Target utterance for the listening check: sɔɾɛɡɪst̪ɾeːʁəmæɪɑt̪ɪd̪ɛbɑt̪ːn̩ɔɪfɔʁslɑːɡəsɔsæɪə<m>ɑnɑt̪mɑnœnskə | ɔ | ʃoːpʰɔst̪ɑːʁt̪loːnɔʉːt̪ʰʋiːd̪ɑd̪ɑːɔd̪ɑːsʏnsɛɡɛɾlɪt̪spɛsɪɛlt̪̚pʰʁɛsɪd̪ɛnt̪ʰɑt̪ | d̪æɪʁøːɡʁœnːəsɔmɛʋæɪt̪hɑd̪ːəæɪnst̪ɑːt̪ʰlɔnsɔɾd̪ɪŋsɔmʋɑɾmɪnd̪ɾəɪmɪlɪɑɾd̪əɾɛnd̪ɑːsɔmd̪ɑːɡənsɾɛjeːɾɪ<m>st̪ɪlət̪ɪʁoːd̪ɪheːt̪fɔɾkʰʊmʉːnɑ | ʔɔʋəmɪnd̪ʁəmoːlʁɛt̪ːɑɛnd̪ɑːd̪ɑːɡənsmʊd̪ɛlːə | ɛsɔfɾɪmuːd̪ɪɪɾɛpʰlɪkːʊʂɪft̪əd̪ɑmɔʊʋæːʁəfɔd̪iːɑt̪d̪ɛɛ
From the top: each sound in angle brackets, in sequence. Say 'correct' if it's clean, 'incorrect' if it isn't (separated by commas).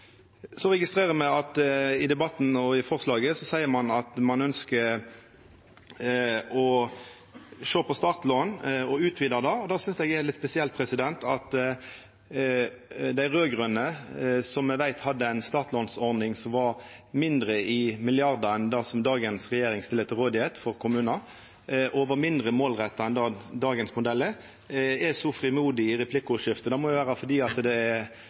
correct, incorrect